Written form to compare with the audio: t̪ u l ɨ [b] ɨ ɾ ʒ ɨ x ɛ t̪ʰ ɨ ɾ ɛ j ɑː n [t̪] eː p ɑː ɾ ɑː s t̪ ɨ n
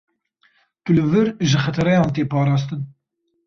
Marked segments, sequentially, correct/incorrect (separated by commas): incorrect, correct